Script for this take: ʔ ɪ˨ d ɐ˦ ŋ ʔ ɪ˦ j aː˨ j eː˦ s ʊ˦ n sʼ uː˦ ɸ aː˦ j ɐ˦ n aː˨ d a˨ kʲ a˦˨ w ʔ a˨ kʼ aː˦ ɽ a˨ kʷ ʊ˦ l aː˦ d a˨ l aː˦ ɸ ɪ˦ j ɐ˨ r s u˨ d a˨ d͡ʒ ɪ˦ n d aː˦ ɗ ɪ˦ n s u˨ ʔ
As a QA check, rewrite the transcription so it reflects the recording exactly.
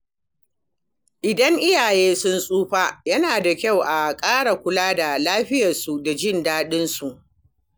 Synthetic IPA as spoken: ʔ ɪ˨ d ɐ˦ ŋ ʔ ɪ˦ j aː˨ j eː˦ s ʊ˦ n sʼ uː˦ ɸ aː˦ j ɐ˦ n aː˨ d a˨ kʲ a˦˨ w ʔ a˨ kʼ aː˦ ɽ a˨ kʷ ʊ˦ l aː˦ d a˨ l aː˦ ɸ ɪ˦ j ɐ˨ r s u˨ d a˨ d͡ʒ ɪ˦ n d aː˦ ɗ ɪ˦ n s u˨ ʔ